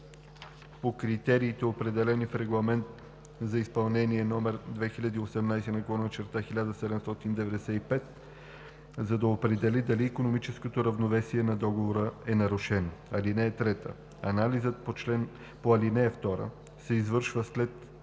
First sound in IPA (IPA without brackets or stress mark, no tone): p